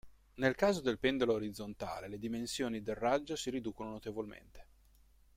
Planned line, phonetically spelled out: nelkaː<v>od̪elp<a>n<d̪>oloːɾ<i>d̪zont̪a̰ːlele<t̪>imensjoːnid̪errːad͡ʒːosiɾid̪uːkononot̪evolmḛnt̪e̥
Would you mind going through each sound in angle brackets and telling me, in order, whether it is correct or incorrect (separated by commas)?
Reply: incorrect, incorrect, correct, correct, incorrect